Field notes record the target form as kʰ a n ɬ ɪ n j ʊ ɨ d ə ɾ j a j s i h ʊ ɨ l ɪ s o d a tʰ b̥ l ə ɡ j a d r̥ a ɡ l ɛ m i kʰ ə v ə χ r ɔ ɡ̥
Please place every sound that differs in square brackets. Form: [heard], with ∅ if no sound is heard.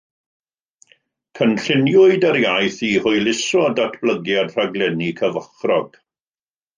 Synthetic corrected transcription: kʰ [ə] n ɬ ɪ n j ʊ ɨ d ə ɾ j a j [θ] i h ʊ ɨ l ɪ s [ɔ] d a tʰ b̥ l ə ɡ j a d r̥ a ɡ l ɛ [n] i kʰ ə v ə χ r ɔ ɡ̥